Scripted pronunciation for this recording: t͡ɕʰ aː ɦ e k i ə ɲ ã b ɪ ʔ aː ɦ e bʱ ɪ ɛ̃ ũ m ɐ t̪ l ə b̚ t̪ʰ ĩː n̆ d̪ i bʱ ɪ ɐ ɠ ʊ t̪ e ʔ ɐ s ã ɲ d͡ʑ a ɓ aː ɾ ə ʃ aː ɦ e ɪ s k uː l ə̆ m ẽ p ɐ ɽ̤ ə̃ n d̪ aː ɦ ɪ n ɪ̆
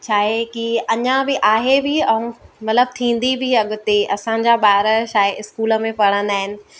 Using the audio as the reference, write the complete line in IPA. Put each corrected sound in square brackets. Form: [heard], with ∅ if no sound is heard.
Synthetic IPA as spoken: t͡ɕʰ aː ɦ e k i [ɐ] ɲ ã b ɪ ʔ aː ɦ e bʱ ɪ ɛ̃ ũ m ɐ t̪ l ə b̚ t̪ʰ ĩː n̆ d̪ i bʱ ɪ ɐ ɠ ʊ t̪ e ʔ ɐ s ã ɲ d͡ʑ a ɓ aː ɾ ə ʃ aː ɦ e ɪ s k uː l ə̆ m ẽ p ɐ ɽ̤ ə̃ n d̪ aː ɦ ɪ n ɪ̆